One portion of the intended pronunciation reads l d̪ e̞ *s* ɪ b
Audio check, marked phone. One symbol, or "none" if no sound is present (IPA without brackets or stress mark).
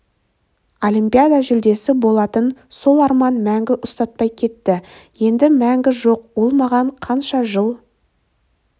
s